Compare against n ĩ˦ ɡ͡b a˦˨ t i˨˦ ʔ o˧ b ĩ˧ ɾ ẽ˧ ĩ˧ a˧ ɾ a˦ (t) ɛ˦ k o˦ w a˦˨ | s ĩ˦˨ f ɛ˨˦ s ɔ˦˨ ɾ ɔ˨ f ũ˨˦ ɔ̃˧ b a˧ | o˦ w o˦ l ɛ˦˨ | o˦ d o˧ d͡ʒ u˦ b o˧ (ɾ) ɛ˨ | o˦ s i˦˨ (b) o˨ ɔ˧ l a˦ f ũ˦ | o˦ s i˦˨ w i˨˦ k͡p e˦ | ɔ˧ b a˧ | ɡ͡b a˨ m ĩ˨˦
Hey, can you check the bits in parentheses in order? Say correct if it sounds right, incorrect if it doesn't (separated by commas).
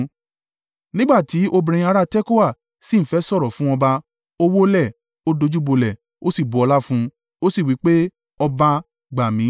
correct, incorrect, correct